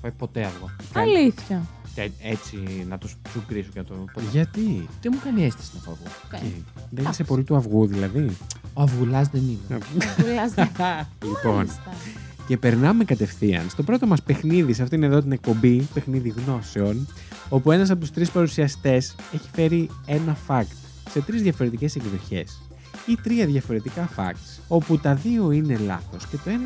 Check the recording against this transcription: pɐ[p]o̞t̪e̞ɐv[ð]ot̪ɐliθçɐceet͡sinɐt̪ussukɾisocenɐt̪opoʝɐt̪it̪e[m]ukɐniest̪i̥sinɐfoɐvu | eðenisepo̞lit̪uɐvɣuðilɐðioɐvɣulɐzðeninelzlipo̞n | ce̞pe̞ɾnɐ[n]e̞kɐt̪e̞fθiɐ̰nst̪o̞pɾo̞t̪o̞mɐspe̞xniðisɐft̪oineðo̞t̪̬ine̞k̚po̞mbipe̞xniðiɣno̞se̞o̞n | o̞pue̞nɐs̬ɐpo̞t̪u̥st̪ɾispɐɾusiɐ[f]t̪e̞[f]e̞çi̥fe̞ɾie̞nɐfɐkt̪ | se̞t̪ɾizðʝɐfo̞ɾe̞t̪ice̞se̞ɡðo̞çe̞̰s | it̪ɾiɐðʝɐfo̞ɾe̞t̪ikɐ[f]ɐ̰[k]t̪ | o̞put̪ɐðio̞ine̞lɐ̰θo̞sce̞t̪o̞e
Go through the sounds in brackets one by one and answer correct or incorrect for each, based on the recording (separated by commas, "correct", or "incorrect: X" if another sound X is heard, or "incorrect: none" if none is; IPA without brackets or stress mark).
correct, incorrect: ɣ, correct, incorrect: m, incorrect: s, incorrect: s, correct, correct